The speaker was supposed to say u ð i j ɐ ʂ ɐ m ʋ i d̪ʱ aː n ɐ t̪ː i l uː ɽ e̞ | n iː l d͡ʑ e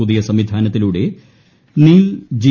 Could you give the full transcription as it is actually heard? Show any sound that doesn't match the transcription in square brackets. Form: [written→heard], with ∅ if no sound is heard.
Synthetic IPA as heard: u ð i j ɐ [ʂ→s] ɐ m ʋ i d̪ʱ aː n ɐ t̪ː i l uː ɽ e̞ | n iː l d͡ʑ [e→i]